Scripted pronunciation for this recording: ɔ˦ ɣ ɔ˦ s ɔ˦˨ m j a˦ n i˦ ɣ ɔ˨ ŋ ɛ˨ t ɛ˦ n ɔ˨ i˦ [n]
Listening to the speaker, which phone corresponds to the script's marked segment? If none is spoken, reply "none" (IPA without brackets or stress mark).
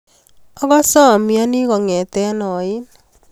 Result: n